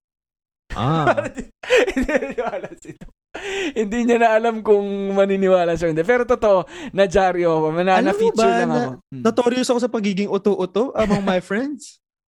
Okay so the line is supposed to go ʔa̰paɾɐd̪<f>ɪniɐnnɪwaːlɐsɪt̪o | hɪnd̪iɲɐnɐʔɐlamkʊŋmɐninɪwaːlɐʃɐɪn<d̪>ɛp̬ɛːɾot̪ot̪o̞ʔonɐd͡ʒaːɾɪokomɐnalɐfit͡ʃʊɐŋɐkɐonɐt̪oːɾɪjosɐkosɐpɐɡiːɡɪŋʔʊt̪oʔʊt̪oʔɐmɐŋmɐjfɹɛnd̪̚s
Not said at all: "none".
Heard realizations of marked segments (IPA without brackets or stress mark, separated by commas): h, d̪